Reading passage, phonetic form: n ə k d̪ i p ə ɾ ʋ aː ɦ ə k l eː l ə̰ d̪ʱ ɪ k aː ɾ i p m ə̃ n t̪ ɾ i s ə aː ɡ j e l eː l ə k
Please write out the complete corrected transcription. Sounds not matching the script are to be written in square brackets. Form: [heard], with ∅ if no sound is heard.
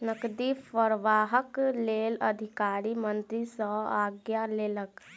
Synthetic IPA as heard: n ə k d̪ i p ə ɾ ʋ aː ɦ ə k l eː l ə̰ d̪ʱ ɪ k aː ɾ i [∅] m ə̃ n t̪ ɾ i s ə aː ɡ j [a] l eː l ə k